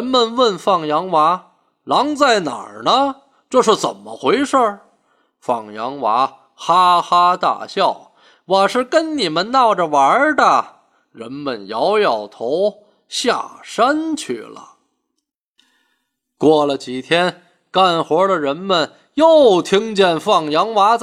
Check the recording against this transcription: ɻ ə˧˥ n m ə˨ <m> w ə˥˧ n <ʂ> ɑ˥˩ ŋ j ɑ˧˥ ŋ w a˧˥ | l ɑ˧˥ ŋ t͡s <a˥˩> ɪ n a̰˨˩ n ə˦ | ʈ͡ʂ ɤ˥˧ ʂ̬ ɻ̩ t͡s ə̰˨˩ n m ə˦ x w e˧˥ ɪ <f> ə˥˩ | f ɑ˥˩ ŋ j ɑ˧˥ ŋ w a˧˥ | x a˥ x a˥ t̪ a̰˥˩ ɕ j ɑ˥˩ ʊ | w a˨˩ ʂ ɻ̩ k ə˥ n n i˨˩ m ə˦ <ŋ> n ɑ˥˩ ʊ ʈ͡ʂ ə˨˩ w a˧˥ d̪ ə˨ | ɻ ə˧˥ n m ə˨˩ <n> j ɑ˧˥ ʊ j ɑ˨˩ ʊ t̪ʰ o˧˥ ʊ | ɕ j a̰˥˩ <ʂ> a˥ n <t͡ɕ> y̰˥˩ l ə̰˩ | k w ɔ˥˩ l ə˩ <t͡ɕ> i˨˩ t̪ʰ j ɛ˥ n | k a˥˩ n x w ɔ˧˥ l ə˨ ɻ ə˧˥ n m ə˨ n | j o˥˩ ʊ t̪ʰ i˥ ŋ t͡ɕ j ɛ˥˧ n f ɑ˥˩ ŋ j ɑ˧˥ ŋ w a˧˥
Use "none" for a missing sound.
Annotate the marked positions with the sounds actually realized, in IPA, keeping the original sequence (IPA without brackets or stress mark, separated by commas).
n, f, a˥˩, ʂ, n, n, ʂ, t͡ɕʰ, t͡ɕ